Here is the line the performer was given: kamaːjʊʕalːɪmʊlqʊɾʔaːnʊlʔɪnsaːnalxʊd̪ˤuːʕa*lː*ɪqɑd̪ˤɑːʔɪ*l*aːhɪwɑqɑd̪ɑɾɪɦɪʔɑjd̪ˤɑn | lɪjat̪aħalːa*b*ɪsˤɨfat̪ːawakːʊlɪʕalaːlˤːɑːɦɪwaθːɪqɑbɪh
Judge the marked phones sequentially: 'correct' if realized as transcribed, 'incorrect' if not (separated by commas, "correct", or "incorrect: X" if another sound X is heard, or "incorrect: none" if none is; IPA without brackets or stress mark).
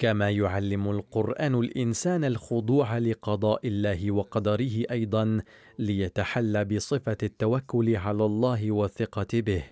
incorrect: l, incorrect: lː, correct